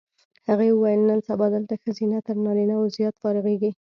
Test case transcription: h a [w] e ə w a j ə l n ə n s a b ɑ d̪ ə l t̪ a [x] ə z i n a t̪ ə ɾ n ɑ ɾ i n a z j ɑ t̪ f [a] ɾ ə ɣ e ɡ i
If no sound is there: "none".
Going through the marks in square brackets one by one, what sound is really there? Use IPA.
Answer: ɣ, x, ɑ

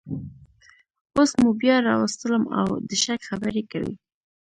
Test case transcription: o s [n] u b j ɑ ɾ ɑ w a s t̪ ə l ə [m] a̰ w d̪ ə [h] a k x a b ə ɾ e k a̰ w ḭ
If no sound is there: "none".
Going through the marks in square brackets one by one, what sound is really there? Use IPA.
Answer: m, m, ʃ

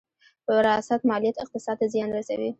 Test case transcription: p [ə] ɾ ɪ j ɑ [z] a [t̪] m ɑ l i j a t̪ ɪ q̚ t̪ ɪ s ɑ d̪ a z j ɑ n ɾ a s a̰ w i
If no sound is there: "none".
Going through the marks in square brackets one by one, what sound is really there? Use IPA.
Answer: ə, s, t̪

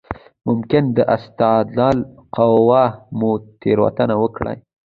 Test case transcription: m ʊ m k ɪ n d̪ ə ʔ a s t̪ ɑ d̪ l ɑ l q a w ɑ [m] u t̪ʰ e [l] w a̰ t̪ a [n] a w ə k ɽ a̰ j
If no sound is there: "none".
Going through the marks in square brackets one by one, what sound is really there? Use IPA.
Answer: m, ɾ, n

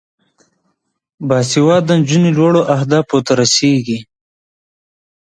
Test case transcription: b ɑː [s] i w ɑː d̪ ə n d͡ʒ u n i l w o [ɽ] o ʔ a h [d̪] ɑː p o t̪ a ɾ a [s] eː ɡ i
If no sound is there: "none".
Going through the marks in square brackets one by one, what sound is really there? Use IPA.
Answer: s, ɽ, d̪, s

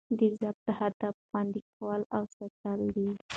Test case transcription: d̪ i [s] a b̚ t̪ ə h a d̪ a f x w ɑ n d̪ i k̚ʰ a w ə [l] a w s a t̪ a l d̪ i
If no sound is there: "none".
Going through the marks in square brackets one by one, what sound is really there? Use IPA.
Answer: z, l

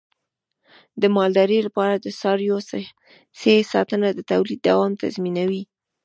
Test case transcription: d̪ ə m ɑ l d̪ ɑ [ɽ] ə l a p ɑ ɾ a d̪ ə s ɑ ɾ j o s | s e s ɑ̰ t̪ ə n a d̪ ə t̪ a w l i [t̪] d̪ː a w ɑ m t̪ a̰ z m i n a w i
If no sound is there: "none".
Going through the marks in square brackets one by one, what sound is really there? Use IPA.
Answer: ɾ, none

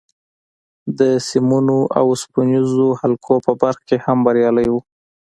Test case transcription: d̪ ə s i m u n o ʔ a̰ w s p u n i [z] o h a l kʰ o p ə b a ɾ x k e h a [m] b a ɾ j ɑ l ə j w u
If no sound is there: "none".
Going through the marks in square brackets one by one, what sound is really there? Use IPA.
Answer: z, m

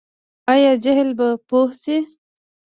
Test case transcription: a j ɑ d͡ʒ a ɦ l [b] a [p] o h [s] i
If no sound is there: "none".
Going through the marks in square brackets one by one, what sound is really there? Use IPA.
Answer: b, p, s

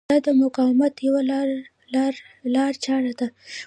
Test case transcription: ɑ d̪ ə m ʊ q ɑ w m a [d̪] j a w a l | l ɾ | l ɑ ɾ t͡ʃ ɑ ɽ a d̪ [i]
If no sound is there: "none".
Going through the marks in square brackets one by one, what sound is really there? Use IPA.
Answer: t̪, a

